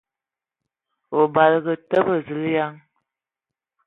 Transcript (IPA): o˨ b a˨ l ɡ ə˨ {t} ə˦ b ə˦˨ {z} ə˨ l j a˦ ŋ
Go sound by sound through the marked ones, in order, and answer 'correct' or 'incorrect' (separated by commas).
correct, correct